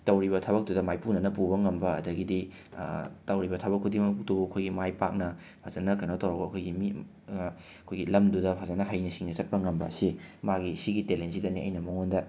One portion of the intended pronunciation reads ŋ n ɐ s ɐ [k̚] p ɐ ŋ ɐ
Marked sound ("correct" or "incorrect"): incorrect